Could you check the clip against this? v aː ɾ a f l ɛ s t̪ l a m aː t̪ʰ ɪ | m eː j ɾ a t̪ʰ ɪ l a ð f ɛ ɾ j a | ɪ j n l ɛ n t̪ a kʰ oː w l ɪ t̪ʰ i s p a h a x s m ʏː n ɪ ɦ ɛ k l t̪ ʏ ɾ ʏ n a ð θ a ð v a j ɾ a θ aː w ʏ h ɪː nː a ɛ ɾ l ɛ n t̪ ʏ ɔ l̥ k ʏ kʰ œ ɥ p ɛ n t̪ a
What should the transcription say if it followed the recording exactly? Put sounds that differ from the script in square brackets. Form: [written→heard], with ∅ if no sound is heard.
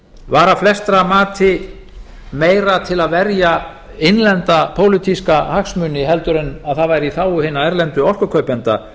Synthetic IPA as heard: v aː ɾ a f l ɛ s t̪ [l→ɾ] a m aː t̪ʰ ɪ | m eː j ɾ a t̪ʰ ɪ l a ð [f→v] ɛ ɾ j a | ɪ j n l ɛ n t̪ a [kʰ→pʰ] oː w l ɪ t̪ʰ i s [p→k] a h a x s m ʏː n ɪ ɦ ɛ [k→∅] l t̪ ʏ ɾ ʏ n a ð θ a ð v a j ɾ [a→i] θ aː w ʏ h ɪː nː a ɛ ɾ l ɛ n t̪ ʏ ɔ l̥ k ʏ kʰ œ ɥ p ɛ n t̪ a